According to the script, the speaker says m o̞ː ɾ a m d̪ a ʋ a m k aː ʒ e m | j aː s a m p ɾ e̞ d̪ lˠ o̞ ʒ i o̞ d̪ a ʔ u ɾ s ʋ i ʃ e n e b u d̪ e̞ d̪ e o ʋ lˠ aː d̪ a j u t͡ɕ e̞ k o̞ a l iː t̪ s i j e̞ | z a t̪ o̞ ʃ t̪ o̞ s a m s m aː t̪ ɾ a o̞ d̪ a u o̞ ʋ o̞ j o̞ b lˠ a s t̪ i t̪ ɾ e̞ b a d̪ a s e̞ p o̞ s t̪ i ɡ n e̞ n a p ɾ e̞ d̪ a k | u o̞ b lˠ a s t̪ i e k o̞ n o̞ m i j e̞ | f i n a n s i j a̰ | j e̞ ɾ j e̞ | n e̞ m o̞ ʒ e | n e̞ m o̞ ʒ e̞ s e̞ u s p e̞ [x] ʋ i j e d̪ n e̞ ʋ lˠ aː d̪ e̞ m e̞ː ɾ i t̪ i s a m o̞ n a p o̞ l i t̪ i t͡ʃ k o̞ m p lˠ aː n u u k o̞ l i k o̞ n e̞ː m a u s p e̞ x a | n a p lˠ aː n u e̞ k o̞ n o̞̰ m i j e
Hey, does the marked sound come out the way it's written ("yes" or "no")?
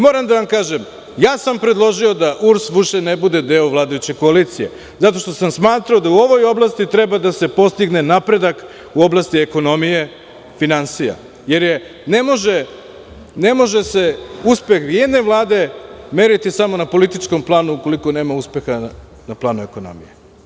yes